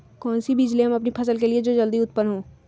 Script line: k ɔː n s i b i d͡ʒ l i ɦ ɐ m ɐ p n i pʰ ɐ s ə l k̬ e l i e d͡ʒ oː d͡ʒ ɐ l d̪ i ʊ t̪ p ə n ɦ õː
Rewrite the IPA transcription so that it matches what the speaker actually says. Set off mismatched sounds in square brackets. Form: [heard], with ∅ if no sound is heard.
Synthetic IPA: k ɔː n s i b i d͡ʒ l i ɦ ɐ m ɐ p n i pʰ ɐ s ə l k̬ e l i e d͡ʒ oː d͡ʒ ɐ l d̪ i ʊ t̪ p ə n ɦ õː

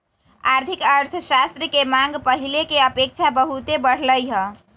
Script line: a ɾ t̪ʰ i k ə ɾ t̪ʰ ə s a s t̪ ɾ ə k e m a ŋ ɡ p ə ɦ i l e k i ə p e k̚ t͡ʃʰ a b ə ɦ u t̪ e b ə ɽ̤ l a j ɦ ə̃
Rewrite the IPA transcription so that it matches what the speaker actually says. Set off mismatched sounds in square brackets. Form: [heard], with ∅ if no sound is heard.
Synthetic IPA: a ɾ t̪ʰ i k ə ɾ t̪ʰ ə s a s t̪ ɾ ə k e m a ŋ ɡ p ə ɦ i l e k [e] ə p e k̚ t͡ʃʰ a b ə ɦ u t̪ e b ə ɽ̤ l [ə] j ɦ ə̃

